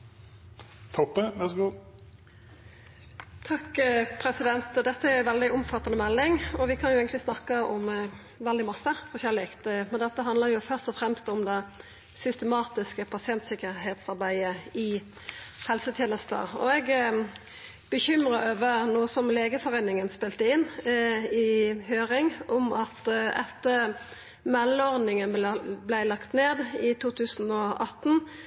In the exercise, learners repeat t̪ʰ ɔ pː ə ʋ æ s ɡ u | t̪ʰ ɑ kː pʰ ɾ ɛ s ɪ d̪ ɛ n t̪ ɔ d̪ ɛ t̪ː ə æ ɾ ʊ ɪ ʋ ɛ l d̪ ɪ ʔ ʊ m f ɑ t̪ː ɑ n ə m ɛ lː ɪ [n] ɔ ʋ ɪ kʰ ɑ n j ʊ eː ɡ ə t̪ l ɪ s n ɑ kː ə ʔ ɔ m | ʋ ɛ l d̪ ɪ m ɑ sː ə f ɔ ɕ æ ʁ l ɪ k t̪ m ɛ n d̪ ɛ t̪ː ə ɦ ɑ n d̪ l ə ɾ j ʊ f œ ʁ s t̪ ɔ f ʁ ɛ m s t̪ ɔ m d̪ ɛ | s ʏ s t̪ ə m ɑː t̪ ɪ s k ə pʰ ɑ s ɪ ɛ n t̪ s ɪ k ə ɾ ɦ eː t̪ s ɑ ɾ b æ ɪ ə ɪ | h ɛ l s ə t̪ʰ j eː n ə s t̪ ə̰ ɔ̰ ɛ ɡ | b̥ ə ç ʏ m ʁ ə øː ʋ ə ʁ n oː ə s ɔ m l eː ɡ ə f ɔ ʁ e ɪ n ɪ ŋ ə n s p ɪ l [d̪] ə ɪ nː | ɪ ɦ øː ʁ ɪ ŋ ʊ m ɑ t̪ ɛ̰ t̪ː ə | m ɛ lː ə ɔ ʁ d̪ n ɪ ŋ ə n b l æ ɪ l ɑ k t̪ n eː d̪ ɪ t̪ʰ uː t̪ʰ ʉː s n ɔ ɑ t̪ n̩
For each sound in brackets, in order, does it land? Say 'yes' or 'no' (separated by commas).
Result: no, no